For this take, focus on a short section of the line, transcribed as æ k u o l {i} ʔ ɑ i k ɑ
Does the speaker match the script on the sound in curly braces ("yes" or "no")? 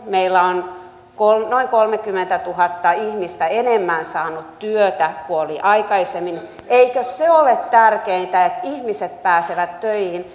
yes